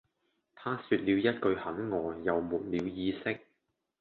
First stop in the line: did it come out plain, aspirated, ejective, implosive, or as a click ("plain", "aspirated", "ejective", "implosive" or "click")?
aspirated